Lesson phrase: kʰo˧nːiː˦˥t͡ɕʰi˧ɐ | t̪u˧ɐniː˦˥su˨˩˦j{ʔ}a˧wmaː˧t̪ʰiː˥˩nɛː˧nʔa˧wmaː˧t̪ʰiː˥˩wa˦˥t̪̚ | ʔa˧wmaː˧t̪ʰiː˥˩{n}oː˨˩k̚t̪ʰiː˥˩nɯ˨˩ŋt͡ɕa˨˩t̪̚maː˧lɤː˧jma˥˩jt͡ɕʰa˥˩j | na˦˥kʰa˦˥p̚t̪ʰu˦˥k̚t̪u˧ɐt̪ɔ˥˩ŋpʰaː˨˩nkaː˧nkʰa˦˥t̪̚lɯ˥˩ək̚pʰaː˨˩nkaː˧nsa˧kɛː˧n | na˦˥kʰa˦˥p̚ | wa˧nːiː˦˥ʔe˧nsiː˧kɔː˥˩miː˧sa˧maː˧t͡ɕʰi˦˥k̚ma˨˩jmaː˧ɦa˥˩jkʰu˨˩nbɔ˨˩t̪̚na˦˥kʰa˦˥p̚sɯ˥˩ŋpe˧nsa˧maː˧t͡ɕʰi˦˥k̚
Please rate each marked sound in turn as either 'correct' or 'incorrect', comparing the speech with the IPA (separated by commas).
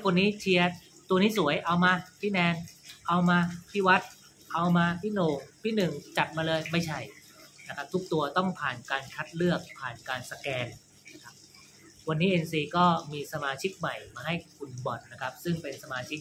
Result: correct, correct